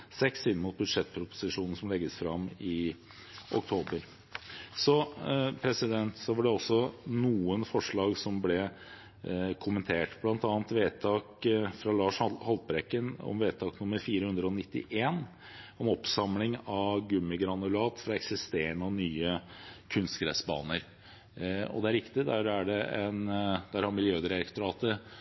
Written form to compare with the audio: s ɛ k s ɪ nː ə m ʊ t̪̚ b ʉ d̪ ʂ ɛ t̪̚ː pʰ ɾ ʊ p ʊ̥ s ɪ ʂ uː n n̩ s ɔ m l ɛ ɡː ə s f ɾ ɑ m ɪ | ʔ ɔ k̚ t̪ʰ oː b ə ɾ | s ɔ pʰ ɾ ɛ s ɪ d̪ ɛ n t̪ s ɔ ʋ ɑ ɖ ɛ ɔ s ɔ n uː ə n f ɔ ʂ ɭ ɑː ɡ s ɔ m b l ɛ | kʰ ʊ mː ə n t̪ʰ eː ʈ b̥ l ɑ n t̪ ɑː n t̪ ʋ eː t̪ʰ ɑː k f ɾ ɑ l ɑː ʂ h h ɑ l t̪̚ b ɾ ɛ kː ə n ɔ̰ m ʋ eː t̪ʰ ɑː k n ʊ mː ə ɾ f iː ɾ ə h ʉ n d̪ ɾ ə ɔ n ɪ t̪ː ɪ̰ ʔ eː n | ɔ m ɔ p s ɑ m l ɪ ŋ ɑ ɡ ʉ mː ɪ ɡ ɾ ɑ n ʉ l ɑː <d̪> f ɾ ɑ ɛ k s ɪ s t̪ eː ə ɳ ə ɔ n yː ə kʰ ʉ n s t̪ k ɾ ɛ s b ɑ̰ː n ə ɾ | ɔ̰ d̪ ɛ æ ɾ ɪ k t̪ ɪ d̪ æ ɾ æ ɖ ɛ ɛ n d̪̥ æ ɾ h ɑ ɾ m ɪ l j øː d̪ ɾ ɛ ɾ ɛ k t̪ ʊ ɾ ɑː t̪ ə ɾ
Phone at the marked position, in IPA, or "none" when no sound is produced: t̪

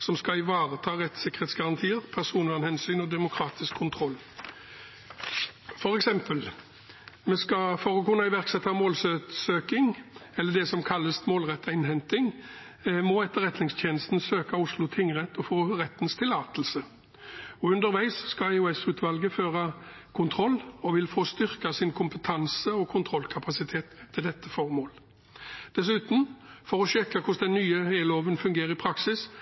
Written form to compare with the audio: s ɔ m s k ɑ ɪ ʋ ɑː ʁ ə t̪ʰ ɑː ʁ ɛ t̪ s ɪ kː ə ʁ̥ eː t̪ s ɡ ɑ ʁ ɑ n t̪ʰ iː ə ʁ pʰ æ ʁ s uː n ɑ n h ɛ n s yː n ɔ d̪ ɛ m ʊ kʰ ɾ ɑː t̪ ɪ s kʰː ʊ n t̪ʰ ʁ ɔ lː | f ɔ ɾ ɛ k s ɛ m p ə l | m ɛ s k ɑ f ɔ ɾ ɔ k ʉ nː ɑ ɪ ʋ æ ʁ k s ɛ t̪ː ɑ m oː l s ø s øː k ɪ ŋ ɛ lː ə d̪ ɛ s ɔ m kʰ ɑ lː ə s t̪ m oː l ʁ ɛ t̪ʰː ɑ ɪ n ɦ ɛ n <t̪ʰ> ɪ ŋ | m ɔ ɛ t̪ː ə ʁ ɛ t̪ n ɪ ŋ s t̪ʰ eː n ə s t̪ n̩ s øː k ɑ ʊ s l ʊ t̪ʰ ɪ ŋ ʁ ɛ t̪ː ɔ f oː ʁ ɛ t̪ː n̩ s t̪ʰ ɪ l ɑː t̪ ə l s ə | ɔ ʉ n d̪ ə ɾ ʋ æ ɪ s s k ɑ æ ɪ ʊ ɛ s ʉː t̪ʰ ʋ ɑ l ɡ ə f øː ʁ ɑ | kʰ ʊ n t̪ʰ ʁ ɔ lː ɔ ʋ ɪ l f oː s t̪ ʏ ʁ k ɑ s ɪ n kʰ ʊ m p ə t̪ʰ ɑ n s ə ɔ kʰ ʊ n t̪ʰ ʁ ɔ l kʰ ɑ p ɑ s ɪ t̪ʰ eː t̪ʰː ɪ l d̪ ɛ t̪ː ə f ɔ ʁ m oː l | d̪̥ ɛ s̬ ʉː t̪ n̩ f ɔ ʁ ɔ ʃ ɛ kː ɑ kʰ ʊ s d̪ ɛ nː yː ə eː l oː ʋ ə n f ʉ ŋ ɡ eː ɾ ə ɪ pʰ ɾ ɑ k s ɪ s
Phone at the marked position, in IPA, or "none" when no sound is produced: t̪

